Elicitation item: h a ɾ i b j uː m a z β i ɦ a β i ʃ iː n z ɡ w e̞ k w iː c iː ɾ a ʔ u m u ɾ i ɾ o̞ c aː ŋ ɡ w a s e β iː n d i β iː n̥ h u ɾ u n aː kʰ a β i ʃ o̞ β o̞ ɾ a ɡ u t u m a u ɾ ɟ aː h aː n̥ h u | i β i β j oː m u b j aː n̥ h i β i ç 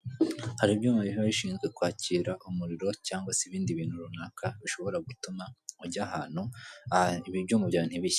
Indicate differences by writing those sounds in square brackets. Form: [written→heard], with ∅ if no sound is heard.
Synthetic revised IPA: h a ɾ i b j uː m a [z→∅] β i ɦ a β i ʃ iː n z ɡ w e̞ k w [iː→aː] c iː ɾ a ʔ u m u ɾ i ɾ o̞ c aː ŋ ɡ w a s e β iː n d i β iː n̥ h u ɾ u n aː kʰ a β i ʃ o̞ β o̞ ɾ a ɡ u t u m a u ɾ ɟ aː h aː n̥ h u | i β i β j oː m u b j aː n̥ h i β i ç